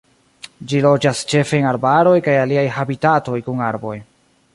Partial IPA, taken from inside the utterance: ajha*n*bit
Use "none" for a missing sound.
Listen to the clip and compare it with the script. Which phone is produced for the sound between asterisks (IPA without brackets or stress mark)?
none